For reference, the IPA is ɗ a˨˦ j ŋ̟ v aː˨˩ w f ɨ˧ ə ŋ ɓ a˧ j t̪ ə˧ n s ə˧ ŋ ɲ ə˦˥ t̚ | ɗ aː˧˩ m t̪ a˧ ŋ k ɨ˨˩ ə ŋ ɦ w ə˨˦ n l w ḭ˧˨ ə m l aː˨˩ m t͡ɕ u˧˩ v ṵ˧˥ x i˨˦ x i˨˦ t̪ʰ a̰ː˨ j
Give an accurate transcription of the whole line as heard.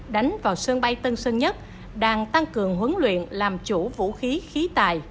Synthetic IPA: ɗ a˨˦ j ŋ̟ v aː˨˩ w s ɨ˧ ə ŋ ɓ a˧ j t̪ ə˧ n s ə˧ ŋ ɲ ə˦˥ t̚ | ɗ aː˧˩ ŋ t̪ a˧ ŋ k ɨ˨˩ ə ŋ ɦ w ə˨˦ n l w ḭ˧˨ ə n l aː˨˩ m t͡ɕ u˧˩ v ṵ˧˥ x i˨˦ x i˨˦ t̪ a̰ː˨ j